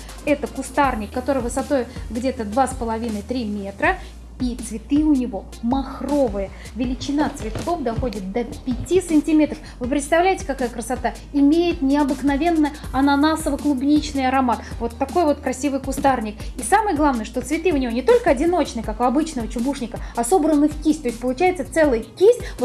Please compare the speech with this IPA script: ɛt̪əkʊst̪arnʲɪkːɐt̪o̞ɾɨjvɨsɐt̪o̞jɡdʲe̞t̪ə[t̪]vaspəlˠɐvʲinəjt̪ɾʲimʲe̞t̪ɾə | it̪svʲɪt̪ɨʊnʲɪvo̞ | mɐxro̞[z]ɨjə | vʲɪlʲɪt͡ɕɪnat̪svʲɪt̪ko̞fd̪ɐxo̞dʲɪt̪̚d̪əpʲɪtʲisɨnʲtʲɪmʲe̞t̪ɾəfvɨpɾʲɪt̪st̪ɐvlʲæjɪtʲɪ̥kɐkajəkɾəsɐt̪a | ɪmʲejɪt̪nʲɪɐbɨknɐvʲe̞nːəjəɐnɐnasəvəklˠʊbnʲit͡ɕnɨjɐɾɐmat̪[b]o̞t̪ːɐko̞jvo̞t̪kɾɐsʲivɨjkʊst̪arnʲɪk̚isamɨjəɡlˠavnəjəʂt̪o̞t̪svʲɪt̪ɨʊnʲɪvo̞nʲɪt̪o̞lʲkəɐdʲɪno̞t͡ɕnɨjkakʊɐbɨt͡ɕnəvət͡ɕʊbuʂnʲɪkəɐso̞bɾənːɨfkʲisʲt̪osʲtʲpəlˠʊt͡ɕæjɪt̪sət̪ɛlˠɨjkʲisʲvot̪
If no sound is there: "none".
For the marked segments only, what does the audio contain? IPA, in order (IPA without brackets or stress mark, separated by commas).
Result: d̪, v, v